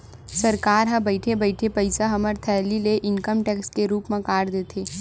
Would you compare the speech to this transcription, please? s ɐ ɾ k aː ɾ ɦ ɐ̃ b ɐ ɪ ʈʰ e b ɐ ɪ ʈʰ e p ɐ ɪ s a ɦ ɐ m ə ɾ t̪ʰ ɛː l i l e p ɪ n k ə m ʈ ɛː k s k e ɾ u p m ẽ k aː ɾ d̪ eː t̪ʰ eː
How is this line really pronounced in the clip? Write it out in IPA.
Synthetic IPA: s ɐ ɾ k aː ɾ ɦ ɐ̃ b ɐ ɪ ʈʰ e b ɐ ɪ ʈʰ e p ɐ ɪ s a ɦ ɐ m ə ɾ t̪ʰ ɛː l i l e ʔ ɪ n k ə m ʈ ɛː k s k e ɾ uː p m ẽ k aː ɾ d̪ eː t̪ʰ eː